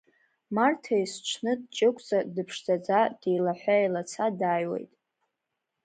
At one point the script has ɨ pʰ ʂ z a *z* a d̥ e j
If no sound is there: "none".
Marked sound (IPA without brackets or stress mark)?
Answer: d͡z